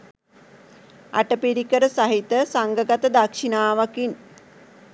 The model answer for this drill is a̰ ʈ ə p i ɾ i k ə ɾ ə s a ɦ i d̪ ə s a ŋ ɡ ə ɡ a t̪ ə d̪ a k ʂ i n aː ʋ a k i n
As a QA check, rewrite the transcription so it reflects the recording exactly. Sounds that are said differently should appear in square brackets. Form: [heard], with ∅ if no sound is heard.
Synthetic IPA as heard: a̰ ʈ ə p i ɾ i k ə ɾ ə s a ɦ i [t̪] ə s a ŋ ɡ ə ɡ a t̪ ə d̪ a k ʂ i n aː ʋ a k i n